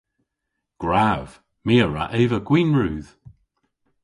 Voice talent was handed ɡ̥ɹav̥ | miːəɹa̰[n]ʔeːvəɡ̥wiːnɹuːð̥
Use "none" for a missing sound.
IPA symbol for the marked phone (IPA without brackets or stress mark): none